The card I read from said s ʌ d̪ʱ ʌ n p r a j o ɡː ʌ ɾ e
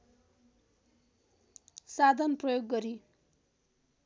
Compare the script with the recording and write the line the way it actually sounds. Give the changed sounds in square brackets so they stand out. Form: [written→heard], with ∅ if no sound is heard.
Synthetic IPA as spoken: s [ʌ→a] d̪ʱ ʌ n p r [a→ʌ] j o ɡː ʌ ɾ [e→i]